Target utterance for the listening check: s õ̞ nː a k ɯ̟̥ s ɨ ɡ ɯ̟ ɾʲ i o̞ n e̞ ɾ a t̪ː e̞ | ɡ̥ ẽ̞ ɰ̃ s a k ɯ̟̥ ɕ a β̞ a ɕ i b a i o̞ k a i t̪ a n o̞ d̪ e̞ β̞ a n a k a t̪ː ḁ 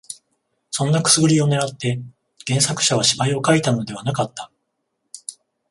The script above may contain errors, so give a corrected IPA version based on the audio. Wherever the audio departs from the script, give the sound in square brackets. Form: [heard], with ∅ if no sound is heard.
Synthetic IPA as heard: s õ̞ nː a k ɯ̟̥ s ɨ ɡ ɯ̟ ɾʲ i o̞ n e̞ ɾ a t̪ː e̞ | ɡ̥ ẽ̞ ɰ̃ s a k ɯ̟̥ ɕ a β̞ a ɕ i b a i o̞ k a i t̪ a n o̞ d̪ e̞ β̞ a n a k a t̪ː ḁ